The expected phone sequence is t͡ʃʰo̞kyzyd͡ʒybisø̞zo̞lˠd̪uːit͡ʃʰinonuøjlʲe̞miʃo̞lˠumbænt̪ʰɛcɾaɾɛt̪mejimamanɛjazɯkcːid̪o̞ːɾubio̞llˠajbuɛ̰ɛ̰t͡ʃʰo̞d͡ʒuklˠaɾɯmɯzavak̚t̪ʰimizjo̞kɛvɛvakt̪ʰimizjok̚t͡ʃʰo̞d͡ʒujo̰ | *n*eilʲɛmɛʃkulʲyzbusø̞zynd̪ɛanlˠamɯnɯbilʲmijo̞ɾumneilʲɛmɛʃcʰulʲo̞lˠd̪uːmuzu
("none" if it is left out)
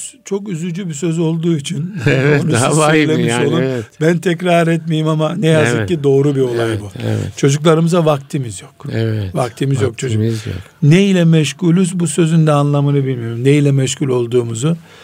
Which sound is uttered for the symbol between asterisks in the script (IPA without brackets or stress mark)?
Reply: n